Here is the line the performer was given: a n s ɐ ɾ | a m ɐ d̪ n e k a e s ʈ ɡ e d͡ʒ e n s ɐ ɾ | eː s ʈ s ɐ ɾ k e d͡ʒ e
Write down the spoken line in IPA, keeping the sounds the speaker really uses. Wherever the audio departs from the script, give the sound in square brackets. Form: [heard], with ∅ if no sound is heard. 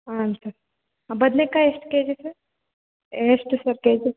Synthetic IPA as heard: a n s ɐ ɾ | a [b] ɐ d̪ n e k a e s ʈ [k] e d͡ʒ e [∅] s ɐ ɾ | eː s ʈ s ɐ ɾ k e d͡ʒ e